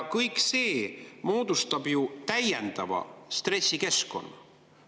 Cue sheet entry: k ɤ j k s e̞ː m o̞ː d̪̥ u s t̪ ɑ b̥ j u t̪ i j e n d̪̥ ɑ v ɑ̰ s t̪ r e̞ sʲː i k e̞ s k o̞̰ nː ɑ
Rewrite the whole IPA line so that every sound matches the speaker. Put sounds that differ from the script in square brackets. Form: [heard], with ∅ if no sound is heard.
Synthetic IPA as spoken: k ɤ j k s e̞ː m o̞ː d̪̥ u s t̪ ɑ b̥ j u t̪ [æ] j e n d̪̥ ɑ v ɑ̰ s t̪ r e̞ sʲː i k e̞ s k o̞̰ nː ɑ